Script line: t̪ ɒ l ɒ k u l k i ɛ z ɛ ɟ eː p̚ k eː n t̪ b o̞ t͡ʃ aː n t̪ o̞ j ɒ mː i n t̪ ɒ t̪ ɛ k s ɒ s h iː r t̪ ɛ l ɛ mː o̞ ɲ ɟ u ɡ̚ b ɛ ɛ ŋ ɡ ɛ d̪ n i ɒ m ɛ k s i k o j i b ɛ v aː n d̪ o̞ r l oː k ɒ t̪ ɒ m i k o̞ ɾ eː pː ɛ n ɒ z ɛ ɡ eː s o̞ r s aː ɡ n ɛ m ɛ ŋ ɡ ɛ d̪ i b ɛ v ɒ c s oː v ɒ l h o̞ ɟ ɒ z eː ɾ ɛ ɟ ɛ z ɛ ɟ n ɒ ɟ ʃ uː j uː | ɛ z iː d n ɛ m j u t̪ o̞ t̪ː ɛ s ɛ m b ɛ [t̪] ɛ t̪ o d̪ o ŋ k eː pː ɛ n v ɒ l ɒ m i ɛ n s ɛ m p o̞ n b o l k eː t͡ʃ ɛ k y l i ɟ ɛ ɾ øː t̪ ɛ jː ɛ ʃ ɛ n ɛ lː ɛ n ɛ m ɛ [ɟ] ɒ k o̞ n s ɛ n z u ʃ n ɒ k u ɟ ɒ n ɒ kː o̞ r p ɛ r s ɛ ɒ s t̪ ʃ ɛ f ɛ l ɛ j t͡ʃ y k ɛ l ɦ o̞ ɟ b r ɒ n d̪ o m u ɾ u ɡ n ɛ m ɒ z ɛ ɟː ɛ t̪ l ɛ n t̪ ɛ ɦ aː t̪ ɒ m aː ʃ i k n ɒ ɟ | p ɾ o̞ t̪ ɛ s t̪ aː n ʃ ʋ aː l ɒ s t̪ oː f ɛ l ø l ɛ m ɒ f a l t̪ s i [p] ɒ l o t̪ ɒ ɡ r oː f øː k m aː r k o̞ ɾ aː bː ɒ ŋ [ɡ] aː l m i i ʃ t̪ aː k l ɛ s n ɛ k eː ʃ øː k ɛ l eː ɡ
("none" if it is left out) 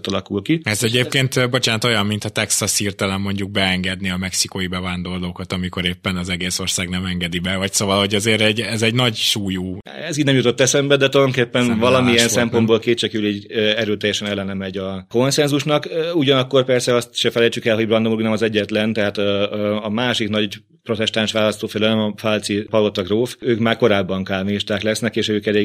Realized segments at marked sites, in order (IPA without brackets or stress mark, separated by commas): d̪, ɟ, p, k